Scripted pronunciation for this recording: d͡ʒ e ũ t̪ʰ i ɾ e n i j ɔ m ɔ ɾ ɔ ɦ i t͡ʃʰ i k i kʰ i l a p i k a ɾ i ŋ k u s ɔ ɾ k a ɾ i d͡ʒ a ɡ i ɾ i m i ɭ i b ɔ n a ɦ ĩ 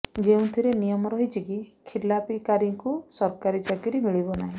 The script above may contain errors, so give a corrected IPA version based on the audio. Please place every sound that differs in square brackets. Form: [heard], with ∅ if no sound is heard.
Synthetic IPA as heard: d͡ʒ e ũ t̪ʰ i ɾ e n i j ɔ m ɔ ɾ ɔ ɦ i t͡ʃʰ i k i kʰ i l a p i k a ɾ i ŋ k u s ɔ ɾ k a ɾ i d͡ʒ a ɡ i ɾ i m i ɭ i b ɔ n a ɦ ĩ

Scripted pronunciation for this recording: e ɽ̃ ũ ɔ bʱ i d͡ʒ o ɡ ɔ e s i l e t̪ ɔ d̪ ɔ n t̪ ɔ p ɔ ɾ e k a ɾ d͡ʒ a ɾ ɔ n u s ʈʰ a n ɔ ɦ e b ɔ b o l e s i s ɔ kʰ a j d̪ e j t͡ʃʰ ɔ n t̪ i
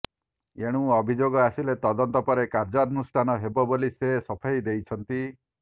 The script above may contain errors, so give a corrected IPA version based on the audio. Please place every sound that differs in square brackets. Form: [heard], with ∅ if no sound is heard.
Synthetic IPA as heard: e ɽ̃ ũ ɔ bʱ i d͡ʒ o ɡ ɔ [a] s i l e t̪ ɔ d̪ ɔ n t̪ ɔ p ɔ ɾ e k a ɾ d͡ʒ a ɾ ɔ n u s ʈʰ a n ɔ ɦ e b ɔ b o l [i] s [e] s ɔ [pʰ] a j d̪ e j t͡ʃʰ ɔ n t̪ i

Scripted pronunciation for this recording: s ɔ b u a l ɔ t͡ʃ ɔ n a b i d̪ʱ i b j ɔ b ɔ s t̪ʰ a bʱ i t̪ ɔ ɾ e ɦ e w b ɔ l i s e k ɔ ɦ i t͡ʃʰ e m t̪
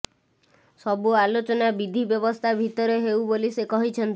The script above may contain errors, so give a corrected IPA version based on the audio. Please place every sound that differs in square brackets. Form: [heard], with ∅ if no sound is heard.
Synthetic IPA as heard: s ɔ b u a l [o] t͡ʃ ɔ n a b i d̪ʱ i b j ɔ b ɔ s t̪ʰ a bʱ i t̪ ɔ ɾ e ɦ e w b [o] l i s e k ɔ ɦ i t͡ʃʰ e [n] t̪

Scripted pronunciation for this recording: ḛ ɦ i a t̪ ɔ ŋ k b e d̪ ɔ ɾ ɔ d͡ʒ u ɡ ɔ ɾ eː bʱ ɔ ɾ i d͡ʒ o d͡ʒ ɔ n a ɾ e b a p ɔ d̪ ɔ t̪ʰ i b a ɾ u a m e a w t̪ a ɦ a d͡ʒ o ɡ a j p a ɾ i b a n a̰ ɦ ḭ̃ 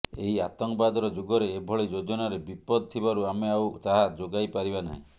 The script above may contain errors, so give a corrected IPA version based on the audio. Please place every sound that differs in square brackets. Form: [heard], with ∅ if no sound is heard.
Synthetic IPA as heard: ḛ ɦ i a t̪ ɔ ŋ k b [a] d̪ ɔ ɾ ɔ d͡ʒ u ɡ ɔ ɾ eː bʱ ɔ [ɭ] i d͡ʒ o d͡ʒ ɔ n a ɾ e b [i] p ɔ d̪ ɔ t̪ʰ i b a ɾ u a m e a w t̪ a ɦ a d͡ʒ o ɡ a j p a ɾ i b a n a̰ ɦ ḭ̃

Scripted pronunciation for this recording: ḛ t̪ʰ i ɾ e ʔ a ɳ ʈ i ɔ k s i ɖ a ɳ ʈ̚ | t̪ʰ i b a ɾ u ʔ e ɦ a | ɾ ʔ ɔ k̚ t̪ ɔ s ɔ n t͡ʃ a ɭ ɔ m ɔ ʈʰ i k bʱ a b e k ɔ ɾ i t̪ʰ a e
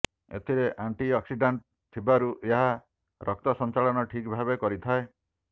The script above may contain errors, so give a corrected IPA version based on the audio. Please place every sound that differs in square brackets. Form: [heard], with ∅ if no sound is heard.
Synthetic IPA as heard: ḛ t̪ʰ i ɾ e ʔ a ɳ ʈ i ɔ k s i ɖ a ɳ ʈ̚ | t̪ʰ i b a ɾ u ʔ e ɦ a | ɾ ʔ ɔ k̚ t̪ ɔ s ɔ n t͡ʃ a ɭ ɔ [n] ɔ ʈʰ i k bʱ a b e k ɔ ɾ i t̪ʰ a e

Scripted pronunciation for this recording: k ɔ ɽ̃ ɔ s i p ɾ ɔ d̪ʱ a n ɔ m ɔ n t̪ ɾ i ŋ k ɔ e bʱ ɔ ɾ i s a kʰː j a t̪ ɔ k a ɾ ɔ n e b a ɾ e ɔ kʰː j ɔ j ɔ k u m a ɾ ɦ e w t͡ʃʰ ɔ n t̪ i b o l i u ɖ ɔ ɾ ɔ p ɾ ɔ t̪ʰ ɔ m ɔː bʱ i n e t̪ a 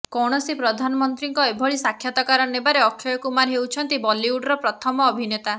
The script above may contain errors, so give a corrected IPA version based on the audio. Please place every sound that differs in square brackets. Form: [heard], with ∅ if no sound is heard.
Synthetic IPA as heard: k ɔ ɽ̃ ɔ s i p ɾ ɔ d̪ʱ a n ɔ m ɔ n t̪ ɾ i ŋ k ɔ e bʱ ɔ [ɭ] i s a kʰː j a t̪ ɔ k a ɾ ɔ n e b a ɾ e ɔ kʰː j ɔ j ɔ k u m a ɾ ɦ e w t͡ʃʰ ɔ n t̪ i b [ɔ] l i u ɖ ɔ ɾ ɔ p ɾ ɔ t̪ʰ ɔ m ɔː bʱ i n e t̪ a

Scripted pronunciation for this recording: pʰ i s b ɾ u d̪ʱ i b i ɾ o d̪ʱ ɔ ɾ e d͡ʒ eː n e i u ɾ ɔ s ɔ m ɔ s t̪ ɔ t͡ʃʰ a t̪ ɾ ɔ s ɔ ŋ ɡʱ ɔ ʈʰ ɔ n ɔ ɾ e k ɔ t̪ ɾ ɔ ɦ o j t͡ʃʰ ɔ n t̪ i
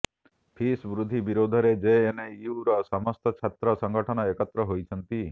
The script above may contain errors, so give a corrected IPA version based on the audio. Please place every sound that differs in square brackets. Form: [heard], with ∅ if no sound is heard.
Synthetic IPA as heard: pʰ i s b ɾ u d̪ʱ i b i ɾ o d̪ʱ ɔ ɾ e d͡ʒ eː n e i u ɾ ɔ s ɔ m ɔ s t̪ ɔ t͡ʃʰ a t̪ ɾ ɔ s ɔ ŋ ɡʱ ɔ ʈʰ ɔ n ɔ [∅] e k ɔ t̪ ɾ ɔ ɦ o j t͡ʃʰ ɔ n t̪ i

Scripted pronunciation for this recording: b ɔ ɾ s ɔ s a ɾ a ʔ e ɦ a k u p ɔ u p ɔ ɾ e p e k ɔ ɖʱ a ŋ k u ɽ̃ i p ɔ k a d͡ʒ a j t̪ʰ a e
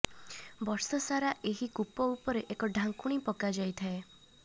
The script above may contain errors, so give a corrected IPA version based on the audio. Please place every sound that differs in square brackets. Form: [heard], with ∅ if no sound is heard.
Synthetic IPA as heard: b ɔ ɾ s ɔ s a ɾ a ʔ e ɦ [i] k u p ɔ u p ɔ ɾ e [ʔ] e k ɔ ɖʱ a ŋ k u ɽ̃ i p ɔ k a d͡ʒ a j t̪ʰ a e

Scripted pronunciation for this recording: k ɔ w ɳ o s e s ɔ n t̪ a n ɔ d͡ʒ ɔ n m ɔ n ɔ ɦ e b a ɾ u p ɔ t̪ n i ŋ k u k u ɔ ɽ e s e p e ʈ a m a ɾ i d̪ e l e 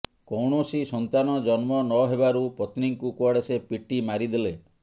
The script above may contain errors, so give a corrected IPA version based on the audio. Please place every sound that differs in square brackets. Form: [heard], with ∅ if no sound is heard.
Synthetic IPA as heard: k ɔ w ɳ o s [i] s ɔ n t̪ a n ɔ d͡ʒ ɔ n m ɔ n ɔ ɦ e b a ɾ u p ɔ t̪ n i ŋ k u k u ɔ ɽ e s e p [i] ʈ [i] m a ɾ i d̪ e l e

